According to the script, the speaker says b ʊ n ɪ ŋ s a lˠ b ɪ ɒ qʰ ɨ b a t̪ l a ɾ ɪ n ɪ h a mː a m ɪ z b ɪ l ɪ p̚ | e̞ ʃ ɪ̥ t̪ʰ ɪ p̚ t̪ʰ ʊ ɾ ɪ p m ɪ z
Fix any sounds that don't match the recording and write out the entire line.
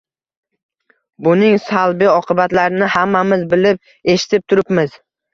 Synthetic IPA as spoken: b ʊ n ɪ ŋ s a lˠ b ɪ ɒ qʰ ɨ b a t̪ l a ɾ ɪ n ɪ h a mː a m ɪ z b ɪ l ɪ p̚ | e̞ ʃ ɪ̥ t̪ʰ ɪ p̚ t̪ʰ ʊ ɾ ɪ p m ɪ z